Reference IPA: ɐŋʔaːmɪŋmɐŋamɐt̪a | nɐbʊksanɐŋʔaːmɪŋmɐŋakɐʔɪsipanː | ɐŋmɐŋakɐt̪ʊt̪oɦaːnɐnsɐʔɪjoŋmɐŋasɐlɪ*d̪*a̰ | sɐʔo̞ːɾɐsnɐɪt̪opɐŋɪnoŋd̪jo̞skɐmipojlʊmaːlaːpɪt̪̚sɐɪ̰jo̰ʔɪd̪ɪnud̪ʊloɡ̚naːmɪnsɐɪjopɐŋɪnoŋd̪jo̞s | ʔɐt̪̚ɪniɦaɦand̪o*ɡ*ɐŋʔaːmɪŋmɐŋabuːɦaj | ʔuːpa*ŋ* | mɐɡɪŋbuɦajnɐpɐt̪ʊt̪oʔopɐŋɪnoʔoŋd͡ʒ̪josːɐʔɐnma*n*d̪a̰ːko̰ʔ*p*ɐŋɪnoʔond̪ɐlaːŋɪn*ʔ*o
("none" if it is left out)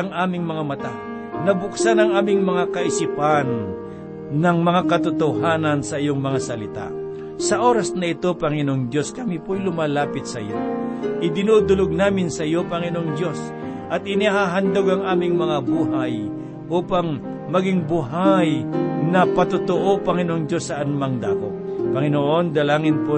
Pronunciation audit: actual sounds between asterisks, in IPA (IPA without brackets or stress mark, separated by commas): t̪, ɡ, ŋ, ŋ, p, p